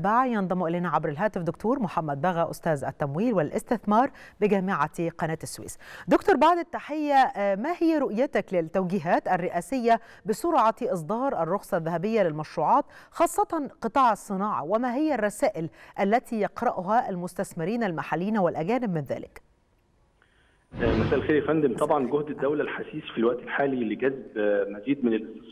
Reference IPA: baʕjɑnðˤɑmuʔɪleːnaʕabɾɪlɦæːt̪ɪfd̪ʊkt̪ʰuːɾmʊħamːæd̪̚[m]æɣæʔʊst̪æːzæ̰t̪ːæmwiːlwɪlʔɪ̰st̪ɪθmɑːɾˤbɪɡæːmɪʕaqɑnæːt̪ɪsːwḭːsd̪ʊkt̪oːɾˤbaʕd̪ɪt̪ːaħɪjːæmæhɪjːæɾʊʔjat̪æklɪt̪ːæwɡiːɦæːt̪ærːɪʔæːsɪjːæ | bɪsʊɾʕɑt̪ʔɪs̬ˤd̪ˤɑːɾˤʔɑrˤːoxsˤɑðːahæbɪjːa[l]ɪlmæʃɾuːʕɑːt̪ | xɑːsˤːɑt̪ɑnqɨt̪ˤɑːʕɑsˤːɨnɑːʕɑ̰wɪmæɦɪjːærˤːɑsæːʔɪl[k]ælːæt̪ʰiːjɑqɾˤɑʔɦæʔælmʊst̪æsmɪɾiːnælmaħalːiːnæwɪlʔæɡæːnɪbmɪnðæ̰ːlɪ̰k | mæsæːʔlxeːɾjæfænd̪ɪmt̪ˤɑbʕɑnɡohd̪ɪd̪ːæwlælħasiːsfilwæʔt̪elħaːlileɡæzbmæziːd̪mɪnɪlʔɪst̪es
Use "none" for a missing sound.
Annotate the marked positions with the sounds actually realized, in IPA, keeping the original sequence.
b, l, ʔ

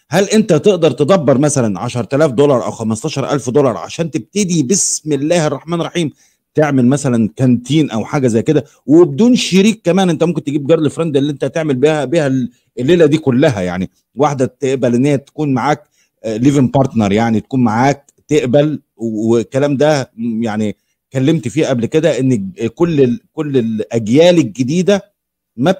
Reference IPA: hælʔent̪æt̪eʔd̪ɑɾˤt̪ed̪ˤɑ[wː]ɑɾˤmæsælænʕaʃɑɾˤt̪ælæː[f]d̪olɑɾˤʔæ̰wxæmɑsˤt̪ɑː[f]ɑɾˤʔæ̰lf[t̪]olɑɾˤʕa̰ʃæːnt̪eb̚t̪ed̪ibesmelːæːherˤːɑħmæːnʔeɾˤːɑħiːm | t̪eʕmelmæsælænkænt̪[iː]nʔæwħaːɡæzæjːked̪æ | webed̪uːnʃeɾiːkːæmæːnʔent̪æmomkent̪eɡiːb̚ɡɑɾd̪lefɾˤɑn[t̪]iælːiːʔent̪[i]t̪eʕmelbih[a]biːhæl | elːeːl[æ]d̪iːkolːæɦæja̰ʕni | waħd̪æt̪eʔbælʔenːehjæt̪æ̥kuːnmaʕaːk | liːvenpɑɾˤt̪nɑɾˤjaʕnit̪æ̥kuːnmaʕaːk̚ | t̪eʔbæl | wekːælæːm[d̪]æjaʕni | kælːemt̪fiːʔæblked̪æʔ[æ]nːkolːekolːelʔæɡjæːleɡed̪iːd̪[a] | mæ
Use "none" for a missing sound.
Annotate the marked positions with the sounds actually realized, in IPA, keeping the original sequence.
bː, f, ʃ, d̪, iː, d̪, æ, æ, æ, d̪, e, æ

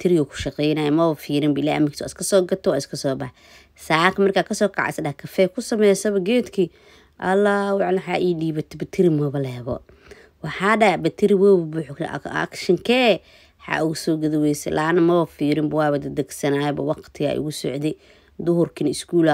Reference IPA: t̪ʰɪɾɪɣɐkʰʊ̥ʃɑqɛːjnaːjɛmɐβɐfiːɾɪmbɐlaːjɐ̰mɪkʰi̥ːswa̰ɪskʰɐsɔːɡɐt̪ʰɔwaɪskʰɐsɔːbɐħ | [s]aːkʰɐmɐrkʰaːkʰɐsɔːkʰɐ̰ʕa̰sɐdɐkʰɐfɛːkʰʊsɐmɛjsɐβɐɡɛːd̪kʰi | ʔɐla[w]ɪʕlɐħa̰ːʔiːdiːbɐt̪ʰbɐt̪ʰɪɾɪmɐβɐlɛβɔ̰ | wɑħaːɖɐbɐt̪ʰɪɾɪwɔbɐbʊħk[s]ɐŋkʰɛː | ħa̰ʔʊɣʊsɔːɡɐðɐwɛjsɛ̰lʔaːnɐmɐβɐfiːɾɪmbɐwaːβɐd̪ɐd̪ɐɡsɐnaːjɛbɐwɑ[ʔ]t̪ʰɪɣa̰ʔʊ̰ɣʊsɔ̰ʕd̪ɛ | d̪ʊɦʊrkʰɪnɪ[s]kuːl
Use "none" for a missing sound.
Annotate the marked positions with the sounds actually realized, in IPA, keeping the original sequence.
s, w, ʃ, q, s

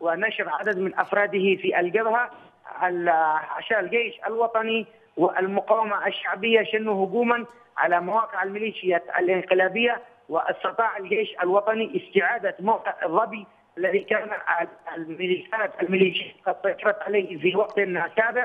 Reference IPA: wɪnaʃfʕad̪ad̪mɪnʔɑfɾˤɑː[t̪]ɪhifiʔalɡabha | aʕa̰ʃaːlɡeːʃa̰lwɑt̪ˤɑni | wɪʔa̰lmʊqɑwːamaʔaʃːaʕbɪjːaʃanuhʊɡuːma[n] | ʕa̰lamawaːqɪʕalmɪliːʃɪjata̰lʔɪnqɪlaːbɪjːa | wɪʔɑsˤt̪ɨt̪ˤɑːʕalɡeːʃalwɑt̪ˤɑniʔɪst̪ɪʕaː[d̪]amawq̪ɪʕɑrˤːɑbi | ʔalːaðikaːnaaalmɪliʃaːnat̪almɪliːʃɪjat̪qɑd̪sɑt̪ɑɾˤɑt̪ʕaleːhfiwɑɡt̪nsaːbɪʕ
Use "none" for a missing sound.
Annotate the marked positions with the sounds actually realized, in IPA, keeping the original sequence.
d̪, n, d̪

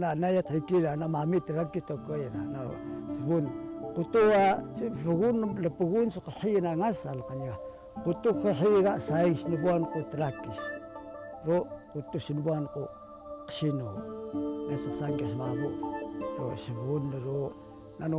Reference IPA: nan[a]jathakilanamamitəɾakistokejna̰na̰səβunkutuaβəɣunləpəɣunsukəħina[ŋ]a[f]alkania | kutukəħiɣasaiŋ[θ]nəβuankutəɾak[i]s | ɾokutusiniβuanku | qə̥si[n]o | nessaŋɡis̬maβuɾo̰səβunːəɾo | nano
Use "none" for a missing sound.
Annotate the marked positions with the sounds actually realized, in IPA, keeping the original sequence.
a, ŋ, s, s, i, n

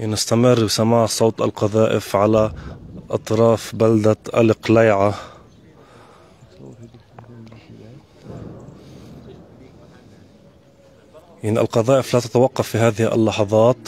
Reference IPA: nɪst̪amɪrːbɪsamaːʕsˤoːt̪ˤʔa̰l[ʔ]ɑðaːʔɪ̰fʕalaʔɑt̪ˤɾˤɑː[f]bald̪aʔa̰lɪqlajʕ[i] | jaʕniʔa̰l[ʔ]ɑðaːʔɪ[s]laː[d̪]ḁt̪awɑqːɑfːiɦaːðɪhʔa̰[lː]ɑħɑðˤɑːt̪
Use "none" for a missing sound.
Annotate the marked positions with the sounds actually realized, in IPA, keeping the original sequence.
q, f, a, q, f, t̪, lː

